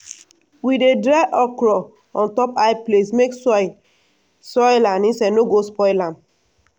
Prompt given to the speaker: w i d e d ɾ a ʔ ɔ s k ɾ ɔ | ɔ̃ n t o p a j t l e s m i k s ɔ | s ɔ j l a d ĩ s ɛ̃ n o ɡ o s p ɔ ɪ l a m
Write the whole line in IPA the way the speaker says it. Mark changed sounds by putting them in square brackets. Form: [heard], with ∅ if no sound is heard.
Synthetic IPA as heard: w i d e d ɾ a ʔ ɔ [∅] k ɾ ɔ | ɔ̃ n t [ɔ] p a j [p] l e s m [e] k s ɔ | s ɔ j l a [n] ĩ s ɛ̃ n o ɡ o s p ɔ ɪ l a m